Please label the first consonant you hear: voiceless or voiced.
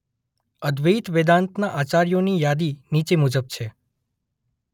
voiced